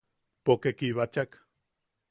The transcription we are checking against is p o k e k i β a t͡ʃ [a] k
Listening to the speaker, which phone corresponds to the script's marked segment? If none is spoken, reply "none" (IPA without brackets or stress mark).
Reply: a